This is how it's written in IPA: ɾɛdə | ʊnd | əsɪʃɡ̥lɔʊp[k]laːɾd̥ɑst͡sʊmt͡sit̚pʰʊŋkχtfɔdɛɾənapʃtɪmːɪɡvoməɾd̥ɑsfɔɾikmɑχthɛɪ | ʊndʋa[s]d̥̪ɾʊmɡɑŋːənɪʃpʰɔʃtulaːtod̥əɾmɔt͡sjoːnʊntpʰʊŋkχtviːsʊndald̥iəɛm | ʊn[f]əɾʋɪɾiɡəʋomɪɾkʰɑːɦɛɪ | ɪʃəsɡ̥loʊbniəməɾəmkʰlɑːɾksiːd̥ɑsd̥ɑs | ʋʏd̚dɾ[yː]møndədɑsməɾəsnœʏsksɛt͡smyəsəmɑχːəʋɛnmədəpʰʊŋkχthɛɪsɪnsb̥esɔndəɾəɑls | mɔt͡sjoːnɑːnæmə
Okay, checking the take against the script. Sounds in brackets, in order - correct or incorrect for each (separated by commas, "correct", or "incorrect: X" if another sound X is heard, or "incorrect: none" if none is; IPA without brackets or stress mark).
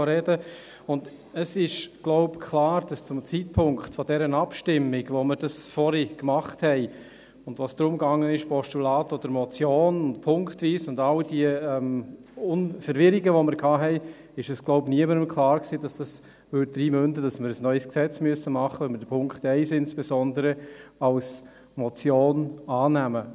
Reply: incorrect: kʰ, correct, correct, incorrect: iː